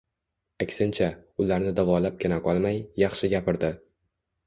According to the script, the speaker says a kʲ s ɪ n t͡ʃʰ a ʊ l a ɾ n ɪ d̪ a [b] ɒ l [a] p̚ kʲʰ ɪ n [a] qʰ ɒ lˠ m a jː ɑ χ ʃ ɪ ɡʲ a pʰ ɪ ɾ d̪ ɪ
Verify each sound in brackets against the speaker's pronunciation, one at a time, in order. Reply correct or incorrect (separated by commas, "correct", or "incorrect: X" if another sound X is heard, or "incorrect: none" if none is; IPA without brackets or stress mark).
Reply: incorrect: v, correct, correct